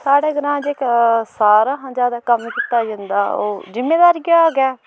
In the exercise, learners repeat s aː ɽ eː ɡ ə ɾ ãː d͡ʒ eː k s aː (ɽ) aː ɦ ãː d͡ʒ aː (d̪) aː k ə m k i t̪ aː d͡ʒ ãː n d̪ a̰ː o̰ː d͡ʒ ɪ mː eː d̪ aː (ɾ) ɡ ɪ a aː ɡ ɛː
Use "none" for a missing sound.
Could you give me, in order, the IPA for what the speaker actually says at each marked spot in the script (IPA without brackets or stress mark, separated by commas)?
ɾ, d̪, ɾ